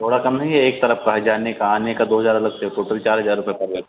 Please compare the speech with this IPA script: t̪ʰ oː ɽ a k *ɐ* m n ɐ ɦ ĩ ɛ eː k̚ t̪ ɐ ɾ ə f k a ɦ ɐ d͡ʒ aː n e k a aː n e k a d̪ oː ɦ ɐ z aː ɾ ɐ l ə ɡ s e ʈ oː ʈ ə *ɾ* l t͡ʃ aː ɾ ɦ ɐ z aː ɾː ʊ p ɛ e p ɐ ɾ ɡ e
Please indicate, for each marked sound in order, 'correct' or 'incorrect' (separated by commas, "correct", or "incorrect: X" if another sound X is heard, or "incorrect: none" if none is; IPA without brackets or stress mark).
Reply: correct, incorrect: none